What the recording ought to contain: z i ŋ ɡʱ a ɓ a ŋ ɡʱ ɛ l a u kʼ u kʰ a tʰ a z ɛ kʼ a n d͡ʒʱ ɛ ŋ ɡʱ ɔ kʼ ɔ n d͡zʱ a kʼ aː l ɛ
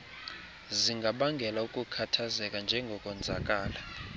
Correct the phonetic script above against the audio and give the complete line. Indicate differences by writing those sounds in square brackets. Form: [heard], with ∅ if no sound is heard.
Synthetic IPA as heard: z i ŋ ɡʱ a ɓ a ŋ ɡʱ ɛ l a u kʼ u kʰ a tʰ a z ɛ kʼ a n d͡ʒʱ ɛ ŋ ɡʱ ɔ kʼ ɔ n d͡zʱ a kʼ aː l [a]